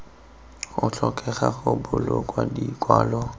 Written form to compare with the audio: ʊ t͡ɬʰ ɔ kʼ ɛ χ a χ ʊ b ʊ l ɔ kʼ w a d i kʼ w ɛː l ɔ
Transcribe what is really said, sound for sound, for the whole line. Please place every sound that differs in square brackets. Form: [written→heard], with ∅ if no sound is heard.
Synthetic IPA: ʊ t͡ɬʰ ɔ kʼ ɛ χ a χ ʊ b ʊ l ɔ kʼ w a d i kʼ w [ɛː→aː] l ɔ

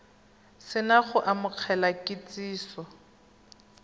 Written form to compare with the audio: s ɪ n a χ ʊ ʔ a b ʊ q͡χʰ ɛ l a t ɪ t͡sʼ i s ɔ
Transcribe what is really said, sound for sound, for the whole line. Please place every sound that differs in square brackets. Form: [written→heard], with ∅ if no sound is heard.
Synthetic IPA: s ɪ n a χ ʊ ʔ a [b→m] ʊ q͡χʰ ɛ l a [t→k] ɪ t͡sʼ [i→iː] s ɔ

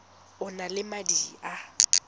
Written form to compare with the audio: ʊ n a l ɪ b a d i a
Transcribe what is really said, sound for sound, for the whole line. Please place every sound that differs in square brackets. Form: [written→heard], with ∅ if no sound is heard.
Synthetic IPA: ʊ n a l ɪ [b→m] a d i a

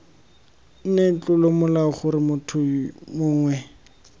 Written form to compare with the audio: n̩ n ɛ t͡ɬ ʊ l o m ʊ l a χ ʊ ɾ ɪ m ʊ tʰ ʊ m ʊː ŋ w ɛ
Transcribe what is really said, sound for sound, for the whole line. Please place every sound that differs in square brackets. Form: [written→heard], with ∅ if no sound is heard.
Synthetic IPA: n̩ n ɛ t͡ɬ ʊ l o m ʊ l a χ ʊ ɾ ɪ m ʊ tʰ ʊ m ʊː ŋ w ɛ

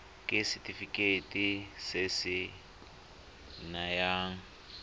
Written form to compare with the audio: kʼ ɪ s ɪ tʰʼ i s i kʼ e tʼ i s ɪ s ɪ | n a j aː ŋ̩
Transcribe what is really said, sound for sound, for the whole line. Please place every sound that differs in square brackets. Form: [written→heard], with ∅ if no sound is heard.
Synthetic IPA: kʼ ɪ s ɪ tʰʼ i [s→f] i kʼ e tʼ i s ɪ s ɪ | n a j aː ŋ̩

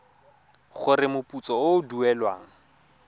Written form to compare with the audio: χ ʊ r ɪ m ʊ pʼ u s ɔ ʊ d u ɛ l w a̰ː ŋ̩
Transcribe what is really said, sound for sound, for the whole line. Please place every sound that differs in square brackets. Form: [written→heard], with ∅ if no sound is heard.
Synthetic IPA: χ ʊ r ɪ m ʊ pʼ u [s→t͡s] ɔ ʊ d u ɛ l w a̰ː ŋ̩

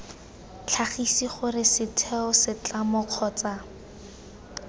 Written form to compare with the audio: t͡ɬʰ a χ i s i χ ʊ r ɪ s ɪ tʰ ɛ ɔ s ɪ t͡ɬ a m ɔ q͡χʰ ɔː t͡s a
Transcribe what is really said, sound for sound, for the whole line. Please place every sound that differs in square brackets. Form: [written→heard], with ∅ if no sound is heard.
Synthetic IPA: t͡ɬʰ a χ i s i χ ʊ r ɪ s ɪ tʰ ɛ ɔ s ɪ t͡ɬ a m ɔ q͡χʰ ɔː t͡s a

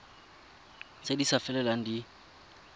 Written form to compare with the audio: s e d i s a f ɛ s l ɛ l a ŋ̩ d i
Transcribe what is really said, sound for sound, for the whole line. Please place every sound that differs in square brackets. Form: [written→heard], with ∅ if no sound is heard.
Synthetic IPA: s e d i s a f ɛ [s→∅] l ɛ l a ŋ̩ d i

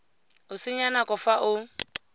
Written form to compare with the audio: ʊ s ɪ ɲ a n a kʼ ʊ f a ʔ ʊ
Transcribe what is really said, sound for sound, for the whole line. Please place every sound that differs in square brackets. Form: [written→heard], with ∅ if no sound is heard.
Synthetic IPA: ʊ s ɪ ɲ a n a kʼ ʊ f a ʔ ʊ

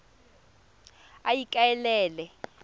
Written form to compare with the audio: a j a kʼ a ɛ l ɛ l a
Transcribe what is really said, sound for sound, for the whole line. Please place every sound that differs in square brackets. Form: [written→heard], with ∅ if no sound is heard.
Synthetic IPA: a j [a→i] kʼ a ɛ l [ɛ→ɛː] l [a→ɛ]

